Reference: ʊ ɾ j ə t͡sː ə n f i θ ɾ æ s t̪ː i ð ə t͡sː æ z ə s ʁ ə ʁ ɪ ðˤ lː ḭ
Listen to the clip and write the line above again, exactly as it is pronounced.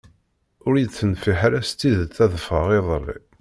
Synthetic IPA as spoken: ʊ ɾ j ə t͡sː ə n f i ħ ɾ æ s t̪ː i ð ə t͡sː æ ð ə f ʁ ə ʁ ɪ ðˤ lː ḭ